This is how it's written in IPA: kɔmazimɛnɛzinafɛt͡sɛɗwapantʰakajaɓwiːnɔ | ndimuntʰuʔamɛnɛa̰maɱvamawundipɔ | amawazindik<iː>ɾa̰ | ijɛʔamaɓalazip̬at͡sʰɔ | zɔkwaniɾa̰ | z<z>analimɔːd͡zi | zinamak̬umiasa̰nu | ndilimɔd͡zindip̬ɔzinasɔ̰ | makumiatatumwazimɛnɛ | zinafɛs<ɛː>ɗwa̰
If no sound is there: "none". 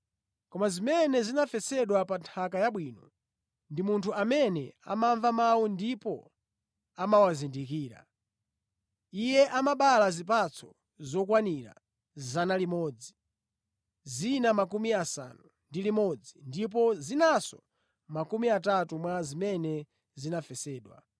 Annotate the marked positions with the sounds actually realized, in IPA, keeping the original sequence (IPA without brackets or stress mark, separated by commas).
iː, z, ɛː